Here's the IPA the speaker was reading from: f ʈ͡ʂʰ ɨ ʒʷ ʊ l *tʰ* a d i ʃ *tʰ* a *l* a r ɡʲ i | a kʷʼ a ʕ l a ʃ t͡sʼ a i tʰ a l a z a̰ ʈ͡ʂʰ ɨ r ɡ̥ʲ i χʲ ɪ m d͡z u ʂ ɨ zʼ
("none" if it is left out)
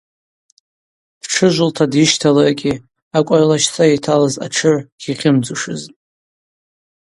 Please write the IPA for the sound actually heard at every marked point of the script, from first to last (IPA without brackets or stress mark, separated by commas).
tʰ, tʰ, l